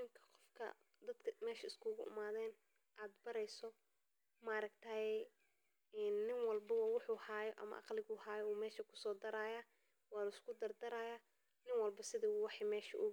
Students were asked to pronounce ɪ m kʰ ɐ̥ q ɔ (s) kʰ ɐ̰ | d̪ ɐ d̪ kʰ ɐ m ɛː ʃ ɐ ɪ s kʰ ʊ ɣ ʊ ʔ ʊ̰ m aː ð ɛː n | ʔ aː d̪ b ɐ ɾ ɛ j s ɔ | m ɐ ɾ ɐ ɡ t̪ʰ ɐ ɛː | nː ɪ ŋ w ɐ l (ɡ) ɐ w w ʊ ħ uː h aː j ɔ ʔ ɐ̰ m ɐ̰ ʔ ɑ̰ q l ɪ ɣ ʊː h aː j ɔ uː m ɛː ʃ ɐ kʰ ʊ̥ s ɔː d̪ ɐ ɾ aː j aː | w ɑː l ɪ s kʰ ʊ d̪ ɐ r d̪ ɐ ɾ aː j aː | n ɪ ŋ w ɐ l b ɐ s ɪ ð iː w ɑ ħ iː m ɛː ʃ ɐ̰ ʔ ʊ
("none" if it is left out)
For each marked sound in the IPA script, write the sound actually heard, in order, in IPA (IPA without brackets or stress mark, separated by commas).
f, b